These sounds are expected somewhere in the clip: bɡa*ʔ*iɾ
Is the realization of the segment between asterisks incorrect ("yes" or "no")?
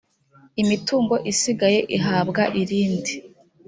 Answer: no